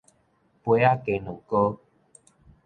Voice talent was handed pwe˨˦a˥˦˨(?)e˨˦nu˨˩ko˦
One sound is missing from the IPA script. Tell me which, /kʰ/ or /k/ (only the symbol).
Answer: k